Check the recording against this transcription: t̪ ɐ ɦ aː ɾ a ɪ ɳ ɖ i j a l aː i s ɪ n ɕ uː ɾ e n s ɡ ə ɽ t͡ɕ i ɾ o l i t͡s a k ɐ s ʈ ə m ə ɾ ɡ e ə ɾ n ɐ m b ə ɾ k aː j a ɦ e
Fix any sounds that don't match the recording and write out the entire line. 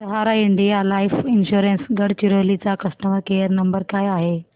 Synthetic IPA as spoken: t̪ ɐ ɦ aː ɾ a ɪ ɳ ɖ i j a l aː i f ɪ n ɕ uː ɾ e n s ɡ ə ɽ t͡ɕ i ɾ o l i t͡s a k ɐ s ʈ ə m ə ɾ k e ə ɾ n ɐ m b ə ɾ k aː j a ɦ e